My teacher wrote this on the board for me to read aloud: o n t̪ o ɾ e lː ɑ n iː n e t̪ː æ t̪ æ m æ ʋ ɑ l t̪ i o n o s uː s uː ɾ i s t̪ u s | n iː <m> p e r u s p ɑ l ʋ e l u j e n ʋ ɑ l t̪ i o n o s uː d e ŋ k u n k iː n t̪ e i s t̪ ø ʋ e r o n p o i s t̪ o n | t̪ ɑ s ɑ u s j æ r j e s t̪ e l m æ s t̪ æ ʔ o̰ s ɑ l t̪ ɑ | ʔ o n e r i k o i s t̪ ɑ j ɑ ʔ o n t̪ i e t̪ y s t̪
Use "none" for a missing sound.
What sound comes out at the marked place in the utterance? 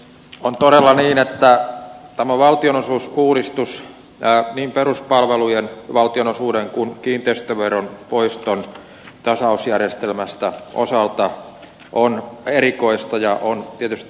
m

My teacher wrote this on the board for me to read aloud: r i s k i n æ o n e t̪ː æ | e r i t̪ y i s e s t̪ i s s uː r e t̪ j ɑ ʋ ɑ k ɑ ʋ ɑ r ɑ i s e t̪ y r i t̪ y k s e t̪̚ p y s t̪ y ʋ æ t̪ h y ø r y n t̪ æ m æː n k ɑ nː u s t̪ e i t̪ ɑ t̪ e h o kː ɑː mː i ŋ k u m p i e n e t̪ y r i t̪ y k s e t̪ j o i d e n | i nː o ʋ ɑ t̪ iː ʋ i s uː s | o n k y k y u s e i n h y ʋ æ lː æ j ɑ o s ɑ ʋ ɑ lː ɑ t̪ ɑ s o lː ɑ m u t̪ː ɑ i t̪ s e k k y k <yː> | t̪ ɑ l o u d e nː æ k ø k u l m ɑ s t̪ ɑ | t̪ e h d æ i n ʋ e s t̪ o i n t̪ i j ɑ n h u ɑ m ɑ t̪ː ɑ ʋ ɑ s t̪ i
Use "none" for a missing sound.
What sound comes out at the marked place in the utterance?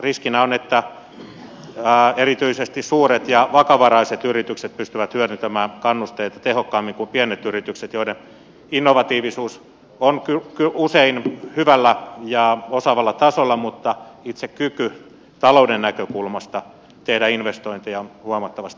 y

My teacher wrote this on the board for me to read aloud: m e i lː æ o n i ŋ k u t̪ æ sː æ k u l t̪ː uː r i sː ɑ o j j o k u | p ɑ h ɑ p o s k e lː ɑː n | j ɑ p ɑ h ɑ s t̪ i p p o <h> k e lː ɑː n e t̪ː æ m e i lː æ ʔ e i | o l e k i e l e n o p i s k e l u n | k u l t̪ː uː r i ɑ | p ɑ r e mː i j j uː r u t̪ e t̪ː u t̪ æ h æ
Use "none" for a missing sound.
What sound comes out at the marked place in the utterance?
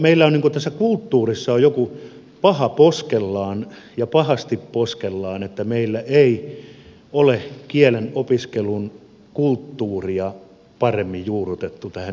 s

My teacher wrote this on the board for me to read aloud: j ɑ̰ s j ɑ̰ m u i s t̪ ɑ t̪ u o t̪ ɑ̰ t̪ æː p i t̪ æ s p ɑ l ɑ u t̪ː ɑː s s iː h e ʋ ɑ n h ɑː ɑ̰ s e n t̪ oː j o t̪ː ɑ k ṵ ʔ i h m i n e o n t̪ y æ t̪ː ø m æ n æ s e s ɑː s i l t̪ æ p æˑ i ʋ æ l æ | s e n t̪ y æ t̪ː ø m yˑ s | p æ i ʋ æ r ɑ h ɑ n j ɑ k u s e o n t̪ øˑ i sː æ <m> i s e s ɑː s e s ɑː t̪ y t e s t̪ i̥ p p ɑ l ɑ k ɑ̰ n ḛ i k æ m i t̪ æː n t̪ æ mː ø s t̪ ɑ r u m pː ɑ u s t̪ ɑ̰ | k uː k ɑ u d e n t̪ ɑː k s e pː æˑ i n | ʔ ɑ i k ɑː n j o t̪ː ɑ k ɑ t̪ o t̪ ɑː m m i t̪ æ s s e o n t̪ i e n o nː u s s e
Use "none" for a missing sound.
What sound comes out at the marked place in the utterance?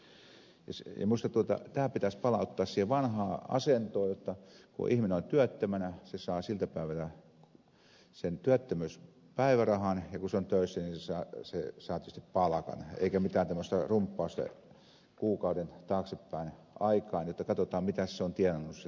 n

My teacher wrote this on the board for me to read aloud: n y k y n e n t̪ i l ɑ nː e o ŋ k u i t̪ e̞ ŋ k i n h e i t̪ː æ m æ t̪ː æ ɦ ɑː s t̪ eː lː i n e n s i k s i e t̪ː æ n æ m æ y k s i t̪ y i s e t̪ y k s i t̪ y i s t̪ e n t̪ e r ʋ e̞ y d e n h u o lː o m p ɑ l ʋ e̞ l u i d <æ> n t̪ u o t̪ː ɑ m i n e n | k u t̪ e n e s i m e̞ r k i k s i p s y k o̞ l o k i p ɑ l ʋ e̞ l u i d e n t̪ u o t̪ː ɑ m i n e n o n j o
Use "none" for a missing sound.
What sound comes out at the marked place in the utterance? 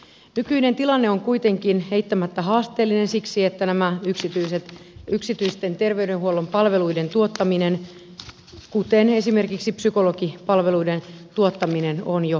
e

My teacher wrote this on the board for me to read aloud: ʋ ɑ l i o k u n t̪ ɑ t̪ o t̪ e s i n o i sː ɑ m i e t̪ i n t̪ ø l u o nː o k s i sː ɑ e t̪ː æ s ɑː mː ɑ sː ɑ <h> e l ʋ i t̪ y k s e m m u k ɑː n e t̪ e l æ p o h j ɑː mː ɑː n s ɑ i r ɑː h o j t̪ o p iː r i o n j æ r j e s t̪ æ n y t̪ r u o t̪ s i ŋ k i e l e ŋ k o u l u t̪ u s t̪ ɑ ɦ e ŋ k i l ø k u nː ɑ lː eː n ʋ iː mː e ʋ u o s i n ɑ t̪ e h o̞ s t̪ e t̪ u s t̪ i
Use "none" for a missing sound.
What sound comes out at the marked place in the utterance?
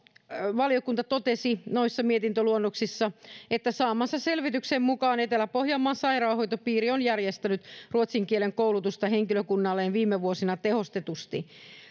s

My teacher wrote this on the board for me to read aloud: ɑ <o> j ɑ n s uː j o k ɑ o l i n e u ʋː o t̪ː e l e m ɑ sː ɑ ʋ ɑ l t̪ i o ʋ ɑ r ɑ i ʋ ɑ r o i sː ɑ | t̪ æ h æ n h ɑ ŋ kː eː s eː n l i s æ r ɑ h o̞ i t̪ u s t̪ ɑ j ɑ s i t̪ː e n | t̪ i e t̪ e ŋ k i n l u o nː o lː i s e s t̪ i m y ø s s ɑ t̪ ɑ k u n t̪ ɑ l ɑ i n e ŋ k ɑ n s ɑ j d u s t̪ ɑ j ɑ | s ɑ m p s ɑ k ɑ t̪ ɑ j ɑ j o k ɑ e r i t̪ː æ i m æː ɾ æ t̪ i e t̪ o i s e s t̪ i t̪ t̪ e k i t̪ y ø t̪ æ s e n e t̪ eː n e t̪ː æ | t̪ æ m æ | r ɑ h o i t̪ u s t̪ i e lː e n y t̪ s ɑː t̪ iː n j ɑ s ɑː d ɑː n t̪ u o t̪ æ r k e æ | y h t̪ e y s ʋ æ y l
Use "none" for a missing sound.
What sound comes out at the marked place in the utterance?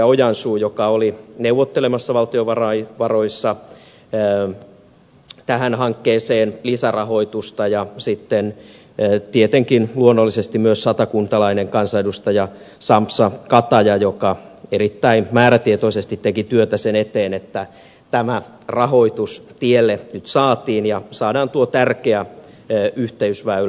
o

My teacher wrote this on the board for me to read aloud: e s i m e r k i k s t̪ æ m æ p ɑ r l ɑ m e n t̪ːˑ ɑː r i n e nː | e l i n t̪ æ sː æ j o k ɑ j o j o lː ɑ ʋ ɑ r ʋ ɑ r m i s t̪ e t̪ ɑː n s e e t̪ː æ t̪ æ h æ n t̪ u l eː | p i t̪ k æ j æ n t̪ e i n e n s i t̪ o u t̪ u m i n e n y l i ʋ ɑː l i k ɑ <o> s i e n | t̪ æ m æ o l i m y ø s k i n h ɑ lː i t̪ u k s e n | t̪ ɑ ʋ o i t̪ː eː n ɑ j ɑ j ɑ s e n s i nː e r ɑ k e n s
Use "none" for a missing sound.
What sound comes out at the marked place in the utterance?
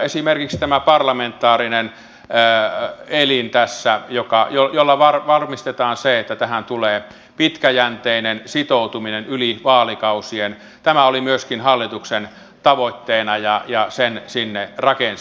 u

